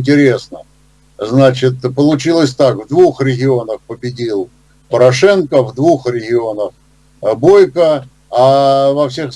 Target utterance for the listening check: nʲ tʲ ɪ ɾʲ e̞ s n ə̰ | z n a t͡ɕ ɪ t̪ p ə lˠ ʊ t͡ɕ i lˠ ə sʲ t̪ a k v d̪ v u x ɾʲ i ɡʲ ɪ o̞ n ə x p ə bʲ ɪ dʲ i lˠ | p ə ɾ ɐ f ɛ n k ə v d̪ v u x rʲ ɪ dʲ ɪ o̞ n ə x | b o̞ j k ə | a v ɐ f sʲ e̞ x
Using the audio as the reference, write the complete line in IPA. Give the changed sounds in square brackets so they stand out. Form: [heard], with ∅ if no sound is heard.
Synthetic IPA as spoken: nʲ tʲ ɪ ɾʲ e̞ s n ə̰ | z n a t͡ɕ ɪ t̪ p ə lˠ ʊ t͡ɕ i lˠ ə sʲ t̪ a k v d̪ v u x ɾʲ [ɪ] ɡʲ ɪ o̞ n ə x p ə bʲ ɪ dʲ i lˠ | p ə ɾ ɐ [ʂ] ɛ n k ə v d̪ v u x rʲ ɪ [ɡʲ] ɪ o̞ n ə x | b o̞ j k ə | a v ɐ f sʲ e̞ x